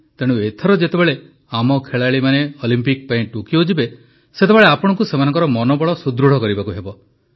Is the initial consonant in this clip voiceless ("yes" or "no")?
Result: yes